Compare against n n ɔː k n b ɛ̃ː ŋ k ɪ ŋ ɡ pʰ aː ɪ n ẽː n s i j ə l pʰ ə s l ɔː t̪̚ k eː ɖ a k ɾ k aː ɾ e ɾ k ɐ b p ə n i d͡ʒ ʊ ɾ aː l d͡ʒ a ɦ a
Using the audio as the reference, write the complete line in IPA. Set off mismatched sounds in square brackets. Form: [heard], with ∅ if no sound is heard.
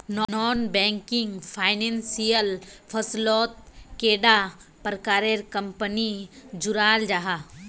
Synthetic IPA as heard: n n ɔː [∅] n b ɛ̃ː ŋ k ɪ ŋ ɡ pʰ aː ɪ n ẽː n s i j ə l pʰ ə s l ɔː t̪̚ k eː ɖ a [p] ɾ k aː ɾ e ɾ k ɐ [m] p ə n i d͡ʒ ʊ ɾ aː l d͡ʒ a ɦ a